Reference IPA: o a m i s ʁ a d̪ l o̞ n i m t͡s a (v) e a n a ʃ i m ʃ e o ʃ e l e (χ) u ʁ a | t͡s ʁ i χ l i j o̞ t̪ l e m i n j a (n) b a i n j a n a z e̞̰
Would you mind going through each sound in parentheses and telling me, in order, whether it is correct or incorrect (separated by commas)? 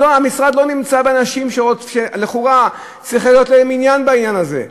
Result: incorrect, correct, correct